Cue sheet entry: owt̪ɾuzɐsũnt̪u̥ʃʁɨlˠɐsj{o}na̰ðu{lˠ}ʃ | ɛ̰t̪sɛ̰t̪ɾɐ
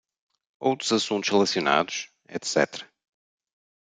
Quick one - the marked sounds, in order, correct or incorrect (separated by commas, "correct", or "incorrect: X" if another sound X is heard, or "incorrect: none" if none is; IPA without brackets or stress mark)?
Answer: incorrect: u, incorrect: none